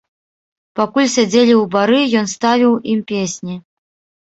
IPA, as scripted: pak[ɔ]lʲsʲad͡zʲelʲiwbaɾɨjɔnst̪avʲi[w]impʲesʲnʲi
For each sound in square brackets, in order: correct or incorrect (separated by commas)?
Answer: incorrect, correct